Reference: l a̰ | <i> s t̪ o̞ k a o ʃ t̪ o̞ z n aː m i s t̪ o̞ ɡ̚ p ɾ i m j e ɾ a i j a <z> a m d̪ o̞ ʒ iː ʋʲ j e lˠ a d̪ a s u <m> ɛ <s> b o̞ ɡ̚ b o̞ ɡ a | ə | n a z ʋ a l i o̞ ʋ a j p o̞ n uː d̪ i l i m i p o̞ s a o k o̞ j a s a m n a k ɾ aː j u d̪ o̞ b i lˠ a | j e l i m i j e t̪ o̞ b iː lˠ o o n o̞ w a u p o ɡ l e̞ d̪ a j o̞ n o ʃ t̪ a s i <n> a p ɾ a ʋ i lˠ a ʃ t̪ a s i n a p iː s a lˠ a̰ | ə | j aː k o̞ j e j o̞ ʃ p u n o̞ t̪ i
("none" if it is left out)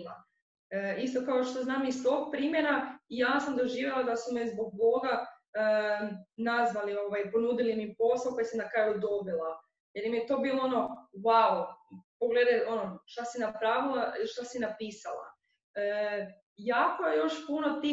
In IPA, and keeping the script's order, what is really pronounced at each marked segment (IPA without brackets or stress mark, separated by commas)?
i, s, m, z, n